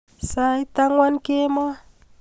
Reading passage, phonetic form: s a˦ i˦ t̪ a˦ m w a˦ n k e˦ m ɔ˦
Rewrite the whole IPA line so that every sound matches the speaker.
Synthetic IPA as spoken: s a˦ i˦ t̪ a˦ ŋ w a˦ n k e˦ m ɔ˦